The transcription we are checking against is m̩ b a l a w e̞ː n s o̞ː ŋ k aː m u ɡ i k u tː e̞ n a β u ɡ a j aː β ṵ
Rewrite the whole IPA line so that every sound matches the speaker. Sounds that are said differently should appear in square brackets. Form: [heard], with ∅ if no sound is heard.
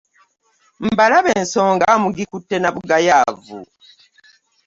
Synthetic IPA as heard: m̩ b a l a [β] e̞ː n s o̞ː ŋ [ɡ] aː m u ɡ i k u tː e̞ n a β u ɡ a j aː [v] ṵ